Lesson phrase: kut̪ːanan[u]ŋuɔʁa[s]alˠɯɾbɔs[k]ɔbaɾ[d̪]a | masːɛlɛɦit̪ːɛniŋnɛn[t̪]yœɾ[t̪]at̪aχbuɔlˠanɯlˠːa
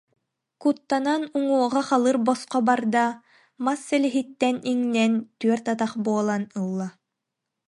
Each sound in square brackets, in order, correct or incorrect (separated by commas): correct, incorrect, incorrect, correct, correct, correct